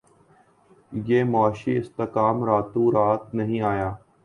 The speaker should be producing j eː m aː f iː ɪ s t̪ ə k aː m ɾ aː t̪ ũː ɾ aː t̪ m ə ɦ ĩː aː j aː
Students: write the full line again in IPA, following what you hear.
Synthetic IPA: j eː m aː ʃ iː ɪ s t̪ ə k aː m ɾ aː t̪ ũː ɾ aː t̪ n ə ɦ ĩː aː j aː